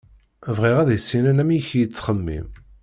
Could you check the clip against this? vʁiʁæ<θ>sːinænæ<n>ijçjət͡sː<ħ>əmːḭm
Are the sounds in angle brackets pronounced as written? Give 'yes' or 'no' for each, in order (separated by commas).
no, no, no